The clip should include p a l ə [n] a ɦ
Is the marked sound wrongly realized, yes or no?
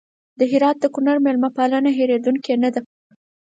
no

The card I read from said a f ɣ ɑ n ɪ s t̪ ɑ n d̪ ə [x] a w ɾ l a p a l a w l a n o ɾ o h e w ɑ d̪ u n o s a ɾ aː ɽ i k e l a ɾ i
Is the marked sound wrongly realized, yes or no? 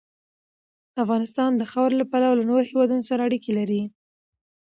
no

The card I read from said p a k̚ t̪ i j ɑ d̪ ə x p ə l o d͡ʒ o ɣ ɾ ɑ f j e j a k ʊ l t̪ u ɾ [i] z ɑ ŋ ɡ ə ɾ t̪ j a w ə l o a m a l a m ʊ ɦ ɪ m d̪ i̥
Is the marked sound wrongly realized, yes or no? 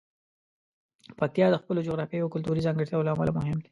no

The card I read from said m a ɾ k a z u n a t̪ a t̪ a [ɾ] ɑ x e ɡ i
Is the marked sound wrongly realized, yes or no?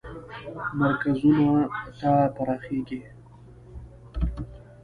no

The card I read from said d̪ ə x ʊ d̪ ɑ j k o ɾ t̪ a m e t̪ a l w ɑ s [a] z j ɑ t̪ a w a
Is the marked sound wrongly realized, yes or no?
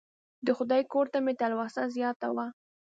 no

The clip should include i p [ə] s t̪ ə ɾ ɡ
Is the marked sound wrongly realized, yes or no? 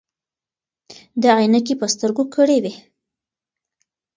no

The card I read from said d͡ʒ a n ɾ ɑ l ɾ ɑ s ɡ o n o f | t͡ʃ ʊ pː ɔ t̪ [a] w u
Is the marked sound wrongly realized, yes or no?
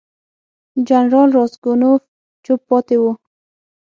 yes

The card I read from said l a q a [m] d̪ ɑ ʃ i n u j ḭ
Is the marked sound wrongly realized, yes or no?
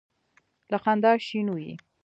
yes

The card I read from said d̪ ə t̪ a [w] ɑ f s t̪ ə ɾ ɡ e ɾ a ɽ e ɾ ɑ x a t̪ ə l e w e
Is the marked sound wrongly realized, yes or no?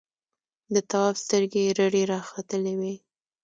no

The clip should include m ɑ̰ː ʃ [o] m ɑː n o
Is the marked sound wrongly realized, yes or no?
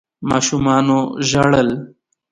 yes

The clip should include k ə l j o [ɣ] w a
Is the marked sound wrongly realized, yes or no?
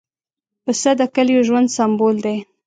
yes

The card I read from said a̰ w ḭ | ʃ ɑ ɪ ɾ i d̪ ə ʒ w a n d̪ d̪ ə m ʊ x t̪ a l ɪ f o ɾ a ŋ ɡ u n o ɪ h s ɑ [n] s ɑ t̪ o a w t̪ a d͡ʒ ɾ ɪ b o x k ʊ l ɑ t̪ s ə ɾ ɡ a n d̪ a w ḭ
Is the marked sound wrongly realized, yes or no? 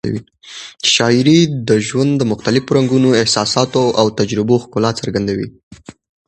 yes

